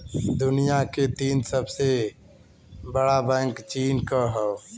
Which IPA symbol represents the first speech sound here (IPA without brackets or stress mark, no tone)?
d̪